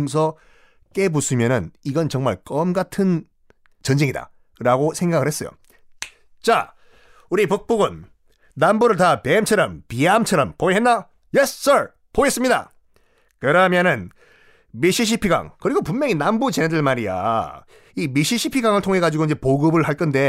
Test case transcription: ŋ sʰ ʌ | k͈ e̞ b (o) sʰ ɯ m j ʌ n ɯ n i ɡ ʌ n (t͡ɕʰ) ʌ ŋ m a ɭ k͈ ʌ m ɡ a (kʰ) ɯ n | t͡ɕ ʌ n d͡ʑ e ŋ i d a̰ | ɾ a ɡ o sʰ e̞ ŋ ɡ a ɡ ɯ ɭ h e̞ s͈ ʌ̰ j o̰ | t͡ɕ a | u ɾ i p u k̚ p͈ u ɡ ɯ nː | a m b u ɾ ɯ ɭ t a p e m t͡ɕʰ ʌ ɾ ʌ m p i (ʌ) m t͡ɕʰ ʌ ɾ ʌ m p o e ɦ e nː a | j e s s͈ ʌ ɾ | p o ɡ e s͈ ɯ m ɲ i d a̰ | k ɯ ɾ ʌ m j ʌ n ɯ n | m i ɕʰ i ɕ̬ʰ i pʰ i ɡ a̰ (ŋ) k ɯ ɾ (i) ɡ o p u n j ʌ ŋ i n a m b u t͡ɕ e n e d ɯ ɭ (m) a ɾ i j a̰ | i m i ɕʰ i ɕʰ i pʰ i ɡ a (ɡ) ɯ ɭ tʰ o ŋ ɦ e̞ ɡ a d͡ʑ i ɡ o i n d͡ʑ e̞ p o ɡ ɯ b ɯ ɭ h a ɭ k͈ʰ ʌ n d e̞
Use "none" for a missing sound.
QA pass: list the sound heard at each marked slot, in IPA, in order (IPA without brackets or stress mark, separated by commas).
u, t͡ɕ, tʰ, a, ŋ, i, m, ŋ